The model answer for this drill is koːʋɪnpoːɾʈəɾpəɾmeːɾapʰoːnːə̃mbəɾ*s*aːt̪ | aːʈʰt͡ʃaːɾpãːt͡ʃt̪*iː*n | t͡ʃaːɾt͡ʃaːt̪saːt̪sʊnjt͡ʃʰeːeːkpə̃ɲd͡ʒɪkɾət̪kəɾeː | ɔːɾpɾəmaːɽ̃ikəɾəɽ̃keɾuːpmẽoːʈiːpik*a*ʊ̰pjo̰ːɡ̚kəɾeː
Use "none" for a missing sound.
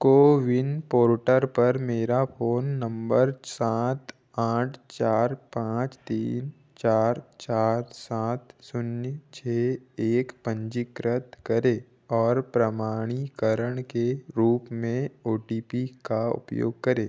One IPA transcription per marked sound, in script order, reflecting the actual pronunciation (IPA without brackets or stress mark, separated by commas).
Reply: s, iː, a